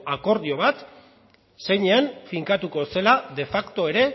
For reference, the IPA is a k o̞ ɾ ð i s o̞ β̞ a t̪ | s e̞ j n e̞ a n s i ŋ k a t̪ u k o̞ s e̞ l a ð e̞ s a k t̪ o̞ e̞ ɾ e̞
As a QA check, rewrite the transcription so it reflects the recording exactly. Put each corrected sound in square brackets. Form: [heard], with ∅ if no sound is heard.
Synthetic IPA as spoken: a k o̞ ɾ ð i [∅] o̞ β̞ a t̪ | s e̞ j [ɲ] e̞ a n [f] i ŋ k a t̪ u k o̞ s e̞ l a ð e̞ [f] a k t̪ o̞ e̞ ɾ e̞